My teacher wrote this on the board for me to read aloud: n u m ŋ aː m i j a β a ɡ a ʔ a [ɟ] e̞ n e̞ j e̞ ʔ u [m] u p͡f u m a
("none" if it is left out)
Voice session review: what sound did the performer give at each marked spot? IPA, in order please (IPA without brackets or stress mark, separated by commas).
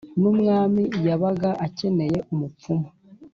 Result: c, m